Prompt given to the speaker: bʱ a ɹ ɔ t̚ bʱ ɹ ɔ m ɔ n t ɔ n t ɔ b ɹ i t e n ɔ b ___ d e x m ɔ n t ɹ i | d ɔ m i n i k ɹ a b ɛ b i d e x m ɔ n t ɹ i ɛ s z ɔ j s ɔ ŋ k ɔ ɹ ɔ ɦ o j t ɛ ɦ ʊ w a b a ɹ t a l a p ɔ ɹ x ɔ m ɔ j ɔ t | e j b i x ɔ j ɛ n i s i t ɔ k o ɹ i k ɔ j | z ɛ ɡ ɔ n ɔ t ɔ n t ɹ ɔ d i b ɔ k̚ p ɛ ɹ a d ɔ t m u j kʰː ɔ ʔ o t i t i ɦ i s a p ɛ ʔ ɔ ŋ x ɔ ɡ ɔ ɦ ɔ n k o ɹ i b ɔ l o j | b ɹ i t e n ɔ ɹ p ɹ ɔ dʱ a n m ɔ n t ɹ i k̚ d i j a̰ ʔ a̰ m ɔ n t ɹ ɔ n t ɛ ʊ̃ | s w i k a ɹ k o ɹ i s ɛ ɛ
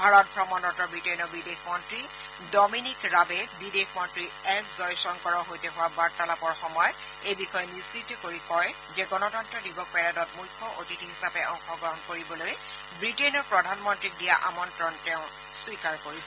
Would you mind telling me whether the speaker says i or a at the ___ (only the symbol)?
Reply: i